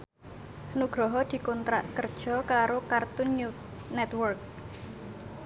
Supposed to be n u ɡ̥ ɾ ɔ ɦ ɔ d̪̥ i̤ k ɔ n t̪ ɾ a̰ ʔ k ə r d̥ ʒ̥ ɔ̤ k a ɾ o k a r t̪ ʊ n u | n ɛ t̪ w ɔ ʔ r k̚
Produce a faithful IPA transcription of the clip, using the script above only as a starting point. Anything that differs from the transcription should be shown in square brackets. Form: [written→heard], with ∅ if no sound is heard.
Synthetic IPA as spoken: n u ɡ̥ ɾ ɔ ɦ ɔ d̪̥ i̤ k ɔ n t̪ ɾ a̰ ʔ k ə r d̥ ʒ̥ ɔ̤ k a ɾ o k a r t̪ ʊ n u | n ɛ t̪ w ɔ [ʔ→∅] r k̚